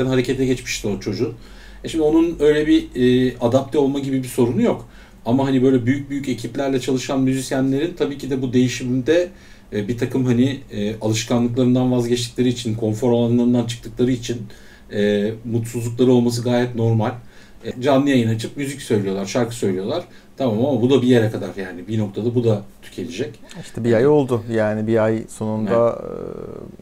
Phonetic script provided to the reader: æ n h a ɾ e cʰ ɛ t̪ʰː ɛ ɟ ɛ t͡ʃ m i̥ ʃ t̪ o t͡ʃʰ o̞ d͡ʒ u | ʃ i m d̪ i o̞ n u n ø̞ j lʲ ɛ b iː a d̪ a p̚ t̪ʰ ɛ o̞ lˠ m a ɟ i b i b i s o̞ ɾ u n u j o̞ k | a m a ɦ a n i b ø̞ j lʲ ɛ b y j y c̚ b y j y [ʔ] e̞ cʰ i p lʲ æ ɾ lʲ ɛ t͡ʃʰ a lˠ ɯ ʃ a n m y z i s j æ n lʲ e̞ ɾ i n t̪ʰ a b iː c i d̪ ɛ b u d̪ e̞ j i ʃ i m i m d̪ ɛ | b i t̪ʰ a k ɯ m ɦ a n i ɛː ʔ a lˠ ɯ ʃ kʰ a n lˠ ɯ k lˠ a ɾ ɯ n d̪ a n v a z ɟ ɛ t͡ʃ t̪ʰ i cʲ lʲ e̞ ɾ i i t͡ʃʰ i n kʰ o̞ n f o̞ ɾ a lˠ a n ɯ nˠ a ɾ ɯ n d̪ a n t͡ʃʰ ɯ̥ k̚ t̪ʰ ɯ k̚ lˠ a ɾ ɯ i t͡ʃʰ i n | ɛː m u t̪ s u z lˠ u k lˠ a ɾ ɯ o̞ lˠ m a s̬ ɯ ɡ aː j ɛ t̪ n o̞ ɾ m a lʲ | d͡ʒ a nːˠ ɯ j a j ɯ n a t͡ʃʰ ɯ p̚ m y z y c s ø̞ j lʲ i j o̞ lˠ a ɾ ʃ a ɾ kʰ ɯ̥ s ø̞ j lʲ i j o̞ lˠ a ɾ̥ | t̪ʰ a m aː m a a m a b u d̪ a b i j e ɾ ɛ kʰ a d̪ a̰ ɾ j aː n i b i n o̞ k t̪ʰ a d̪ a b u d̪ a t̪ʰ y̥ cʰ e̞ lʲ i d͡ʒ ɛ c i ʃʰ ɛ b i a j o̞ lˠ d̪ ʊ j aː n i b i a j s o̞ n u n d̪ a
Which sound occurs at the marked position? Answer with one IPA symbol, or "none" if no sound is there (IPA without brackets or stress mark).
c